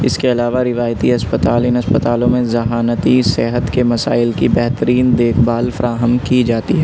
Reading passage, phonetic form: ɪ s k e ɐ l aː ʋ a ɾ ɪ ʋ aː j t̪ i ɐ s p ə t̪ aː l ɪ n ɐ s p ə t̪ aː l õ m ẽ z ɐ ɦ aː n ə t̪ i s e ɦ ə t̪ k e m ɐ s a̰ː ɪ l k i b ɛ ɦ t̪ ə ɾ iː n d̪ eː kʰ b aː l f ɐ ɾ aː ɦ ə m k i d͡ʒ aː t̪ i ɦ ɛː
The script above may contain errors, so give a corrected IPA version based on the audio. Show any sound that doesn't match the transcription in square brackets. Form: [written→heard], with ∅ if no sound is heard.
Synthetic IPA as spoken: ɪ s k e ɐ l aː ʋ a ɾ ɪ ʋ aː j t̪ i ɐ s p ə t̪ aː l ɪ n ɐ s p ə t̪ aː l õ m ẽ z ɐ ɦ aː n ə t̪ i s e ɦ ə t̪ k e m ɐ s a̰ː ɪ l k i b ɛ ɦ t̪ ə ɾ iː n d̪ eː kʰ b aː l f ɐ ɾ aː ɦ ə m k i d͡ʒ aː t̪ i ɦ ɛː